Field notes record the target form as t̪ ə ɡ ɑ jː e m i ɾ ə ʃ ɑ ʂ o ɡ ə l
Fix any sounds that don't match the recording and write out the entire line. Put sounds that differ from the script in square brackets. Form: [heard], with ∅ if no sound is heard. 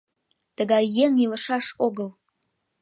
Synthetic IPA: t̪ ə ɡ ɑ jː e [ŋ] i [l] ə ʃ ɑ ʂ o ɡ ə l